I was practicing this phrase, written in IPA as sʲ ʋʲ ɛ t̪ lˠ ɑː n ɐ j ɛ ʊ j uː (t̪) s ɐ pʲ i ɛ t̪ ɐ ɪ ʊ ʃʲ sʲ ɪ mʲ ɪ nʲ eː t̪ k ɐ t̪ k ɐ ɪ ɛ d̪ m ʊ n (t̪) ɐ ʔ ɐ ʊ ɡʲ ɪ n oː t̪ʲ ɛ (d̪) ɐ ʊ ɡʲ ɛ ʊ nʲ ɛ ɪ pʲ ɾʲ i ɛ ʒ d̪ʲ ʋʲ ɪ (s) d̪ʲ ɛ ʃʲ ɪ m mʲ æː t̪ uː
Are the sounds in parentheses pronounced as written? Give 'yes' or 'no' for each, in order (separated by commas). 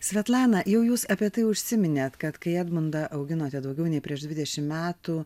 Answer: no, no, yes, no